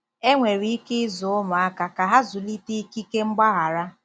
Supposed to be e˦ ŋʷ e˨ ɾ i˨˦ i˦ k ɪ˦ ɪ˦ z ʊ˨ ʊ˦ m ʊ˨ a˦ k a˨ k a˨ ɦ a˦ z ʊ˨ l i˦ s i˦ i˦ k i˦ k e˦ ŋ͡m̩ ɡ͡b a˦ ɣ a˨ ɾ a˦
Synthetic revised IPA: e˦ ŋʷ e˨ ɾ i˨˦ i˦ k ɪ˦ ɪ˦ z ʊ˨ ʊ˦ m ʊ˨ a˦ k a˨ k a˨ ɦ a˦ z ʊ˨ l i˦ t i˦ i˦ k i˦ k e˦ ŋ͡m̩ ɡ͡b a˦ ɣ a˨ ɾ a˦